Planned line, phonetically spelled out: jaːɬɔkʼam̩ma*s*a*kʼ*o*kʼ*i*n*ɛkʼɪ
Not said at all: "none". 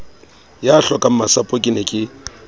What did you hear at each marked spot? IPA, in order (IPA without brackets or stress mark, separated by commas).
s, pʼ, kʼ, n